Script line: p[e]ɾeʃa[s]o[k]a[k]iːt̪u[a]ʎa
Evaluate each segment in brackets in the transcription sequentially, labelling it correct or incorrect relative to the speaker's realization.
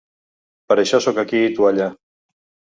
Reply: incorrect: a, correct, correct, correct, correct

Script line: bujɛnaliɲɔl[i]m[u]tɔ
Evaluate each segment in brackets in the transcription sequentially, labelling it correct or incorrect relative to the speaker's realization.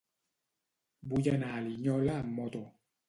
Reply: incorrect: a, incorrect: ɔ

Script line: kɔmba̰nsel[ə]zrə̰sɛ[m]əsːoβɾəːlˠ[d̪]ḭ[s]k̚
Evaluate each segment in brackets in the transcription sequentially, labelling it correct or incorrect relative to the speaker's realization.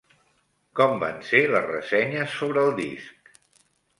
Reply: correct, incorrect: ɲ, correct, correct

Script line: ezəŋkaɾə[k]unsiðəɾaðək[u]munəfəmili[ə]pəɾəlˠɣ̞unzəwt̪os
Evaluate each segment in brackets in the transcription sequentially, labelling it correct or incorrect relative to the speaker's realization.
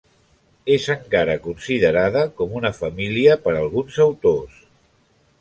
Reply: correct, incorrect: ɔ, correct

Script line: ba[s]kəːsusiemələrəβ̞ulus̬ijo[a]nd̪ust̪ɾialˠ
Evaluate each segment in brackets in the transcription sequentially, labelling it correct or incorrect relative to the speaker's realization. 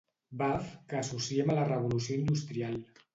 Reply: incorrect: f, incorrect: i

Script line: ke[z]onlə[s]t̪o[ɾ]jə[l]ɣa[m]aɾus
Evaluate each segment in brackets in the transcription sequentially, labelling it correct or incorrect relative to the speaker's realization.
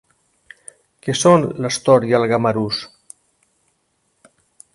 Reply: incorrect: s, correct, correct, correct, correct

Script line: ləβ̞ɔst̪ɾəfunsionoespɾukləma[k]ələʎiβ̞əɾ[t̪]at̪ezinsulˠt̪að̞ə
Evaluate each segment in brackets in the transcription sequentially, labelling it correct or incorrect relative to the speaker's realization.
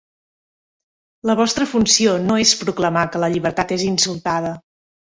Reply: correct, correct

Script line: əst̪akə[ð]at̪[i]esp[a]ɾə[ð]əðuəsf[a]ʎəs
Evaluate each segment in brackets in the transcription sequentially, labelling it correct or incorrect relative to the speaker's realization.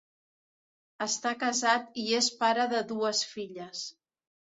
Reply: incorrect: z, correct, correct, correct, incorrect: i

